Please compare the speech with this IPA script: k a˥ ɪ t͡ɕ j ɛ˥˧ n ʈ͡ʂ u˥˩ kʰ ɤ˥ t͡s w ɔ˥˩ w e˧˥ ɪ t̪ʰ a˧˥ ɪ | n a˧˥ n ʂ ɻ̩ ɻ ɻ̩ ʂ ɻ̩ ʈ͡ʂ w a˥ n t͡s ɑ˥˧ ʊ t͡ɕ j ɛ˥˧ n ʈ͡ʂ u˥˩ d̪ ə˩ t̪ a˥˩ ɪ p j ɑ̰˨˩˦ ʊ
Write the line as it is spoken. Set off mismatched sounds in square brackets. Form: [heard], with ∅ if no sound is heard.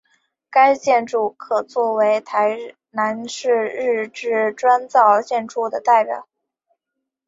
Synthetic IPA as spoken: k a˥ ɪ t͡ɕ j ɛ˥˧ n ʈ͡ʂ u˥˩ kʰ [ɤ˨˩] t͡s w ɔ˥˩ w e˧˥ ɪ t̪ʰ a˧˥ ɪ | n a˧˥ n ʂ ɻ̩ ɻ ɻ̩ [ʈ͡ʂ] ɻ̩ ʈ͡ʂ w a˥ n t͡s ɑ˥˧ ʊ t͡ɕ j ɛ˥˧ n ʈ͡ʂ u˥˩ d̪ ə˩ t̪ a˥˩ ɪ p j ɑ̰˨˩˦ ʊ